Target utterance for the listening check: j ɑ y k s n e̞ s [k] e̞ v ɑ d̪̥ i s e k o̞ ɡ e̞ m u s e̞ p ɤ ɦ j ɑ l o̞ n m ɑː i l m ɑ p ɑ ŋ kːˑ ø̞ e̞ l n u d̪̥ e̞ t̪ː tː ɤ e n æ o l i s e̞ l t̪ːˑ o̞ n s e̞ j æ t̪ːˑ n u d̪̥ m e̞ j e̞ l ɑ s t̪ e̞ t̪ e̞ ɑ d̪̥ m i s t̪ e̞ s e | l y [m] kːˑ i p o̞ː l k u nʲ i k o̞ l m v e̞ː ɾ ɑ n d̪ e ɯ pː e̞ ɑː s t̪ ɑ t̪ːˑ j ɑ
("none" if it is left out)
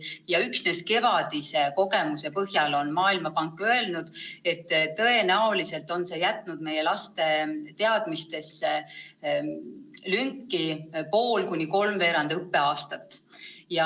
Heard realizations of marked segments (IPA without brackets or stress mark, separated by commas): k, ŋ